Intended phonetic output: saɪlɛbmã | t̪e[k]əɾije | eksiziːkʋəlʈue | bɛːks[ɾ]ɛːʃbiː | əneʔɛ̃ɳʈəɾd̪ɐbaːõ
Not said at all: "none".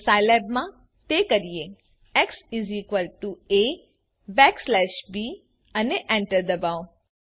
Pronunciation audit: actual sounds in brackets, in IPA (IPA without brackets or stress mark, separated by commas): k, l